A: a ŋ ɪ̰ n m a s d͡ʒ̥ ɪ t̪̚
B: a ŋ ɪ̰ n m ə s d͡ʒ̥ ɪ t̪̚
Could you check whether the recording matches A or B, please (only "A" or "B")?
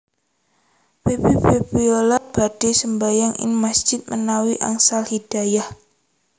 A